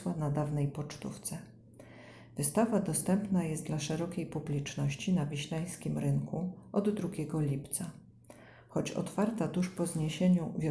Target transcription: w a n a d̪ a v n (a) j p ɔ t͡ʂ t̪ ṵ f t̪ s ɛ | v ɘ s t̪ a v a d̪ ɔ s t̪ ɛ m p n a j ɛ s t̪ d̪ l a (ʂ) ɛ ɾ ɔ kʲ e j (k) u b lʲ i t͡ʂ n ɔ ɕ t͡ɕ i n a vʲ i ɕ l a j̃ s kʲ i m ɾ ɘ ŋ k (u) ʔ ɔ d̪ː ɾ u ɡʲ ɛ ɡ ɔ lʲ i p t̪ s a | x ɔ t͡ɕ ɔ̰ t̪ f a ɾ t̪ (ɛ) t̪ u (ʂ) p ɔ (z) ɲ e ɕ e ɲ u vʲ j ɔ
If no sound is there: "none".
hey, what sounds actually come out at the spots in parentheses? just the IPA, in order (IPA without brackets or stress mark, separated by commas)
ɛ, ʂ, p, u, a, ʂ, z